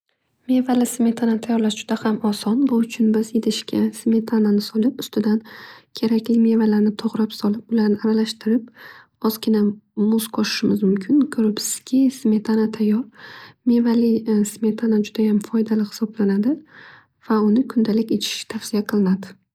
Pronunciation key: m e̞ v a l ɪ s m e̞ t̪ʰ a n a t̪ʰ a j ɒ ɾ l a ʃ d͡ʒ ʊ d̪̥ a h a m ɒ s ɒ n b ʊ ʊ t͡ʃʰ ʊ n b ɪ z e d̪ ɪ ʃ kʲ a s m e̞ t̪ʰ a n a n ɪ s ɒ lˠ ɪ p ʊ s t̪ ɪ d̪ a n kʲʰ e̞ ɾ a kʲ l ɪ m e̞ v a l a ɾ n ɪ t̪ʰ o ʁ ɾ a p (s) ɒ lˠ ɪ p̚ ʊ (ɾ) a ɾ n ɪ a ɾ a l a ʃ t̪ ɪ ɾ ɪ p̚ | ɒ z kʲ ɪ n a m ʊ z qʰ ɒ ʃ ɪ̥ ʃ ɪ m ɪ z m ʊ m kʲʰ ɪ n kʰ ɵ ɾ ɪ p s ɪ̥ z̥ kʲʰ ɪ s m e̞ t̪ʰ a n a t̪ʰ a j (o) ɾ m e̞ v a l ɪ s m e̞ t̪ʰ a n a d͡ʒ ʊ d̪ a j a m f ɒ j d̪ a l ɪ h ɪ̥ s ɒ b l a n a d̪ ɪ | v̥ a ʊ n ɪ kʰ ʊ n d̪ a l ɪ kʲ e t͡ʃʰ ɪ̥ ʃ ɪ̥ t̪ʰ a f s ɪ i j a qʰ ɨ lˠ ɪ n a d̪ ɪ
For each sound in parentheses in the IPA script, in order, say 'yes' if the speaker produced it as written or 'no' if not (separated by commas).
yes, no, no